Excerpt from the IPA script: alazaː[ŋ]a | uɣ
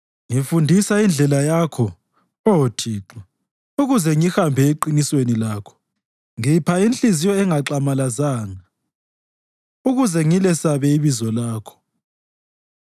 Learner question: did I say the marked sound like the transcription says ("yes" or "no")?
yes